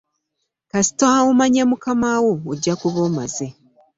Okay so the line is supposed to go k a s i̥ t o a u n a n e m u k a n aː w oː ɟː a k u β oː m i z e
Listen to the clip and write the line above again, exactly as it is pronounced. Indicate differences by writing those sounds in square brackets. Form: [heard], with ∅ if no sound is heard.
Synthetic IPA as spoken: k a s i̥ t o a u [m] a [ɲ] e m u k a [m] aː w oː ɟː a k u β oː m [a] z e